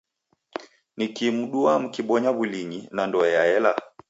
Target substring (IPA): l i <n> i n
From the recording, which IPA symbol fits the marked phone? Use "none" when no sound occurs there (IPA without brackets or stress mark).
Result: ɲ